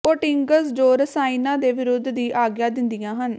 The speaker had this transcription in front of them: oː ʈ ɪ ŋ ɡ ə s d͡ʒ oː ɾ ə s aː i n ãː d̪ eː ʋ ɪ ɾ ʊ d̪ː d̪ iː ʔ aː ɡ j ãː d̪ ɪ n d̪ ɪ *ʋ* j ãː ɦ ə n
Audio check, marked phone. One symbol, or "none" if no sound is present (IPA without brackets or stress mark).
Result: none